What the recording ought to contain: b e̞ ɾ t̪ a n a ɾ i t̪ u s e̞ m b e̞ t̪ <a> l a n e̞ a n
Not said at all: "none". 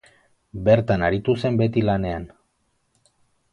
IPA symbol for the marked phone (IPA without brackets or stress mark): i